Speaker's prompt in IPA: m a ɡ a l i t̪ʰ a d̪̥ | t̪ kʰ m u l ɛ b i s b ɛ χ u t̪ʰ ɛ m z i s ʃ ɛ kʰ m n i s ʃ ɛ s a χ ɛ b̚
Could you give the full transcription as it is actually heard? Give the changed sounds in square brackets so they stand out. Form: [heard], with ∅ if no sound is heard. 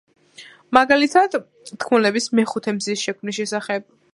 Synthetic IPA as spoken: m a ɡ a l i t̪ʰ a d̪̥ | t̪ kʰ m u l ɛ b i s [m] ɛ χ u t̪ʰ ɛ m z i s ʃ ɛ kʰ m n i s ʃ ɛ s a χ ɛ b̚